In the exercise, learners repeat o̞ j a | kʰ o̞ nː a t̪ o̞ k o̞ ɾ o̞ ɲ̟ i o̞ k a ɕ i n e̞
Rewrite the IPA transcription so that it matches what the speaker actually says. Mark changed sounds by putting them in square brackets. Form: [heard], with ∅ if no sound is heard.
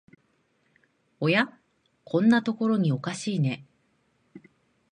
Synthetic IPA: o̞ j a | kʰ [õ̞] nː a t̪ o̞ k o̞ ɾ o̞ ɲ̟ i o̞ k a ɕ [iː] n e̞